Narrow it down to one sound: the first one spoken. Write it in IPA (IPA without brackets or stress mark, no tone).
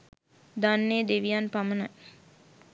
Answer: d̪